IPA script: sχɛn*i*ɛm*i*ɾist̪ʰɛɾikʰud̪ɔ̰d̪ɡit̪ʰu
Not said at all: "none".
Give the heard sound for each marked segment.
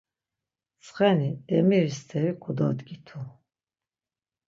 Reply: i, i

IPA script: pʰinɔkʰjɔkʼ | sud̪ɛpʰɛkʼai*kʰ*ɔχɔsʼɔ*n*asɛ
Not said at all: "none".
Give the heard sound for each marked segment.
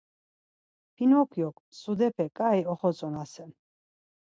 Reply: none, n

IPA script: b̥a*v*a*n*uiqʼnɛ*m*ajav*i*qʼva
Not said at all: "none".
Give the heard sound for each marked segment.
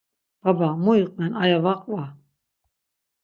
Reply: b, m, n, a

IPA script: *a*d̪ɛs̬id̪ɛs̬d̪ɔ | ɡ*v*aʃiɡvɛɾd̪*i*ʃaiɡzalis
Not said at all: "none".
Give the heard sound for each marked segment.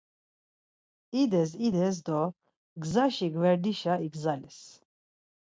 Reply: i, z, i

